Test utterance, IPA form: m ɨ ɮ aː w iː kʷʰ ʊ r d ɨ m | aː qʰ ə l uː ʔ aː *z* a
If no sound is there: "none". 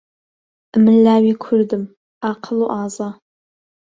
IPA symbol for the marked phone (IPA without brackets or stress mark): z